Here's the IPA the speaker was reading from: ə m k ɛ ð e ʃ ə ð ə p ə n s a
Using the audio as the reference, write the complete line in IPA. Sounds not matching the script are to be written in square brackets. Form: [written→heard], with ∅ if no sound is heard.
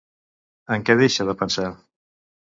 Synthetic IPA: ə [m→ŋ] k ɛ ð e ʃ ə ð ə p ə n s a